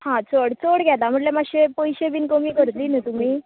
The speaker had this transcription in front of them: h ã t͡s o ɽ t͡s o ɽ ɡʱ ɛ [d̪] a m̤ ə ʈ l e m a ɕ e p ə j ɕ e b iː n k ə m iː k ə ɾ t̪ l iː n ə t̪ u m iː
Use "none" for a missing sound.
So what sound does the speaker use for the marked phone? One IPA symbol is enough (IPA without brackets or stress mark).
t̪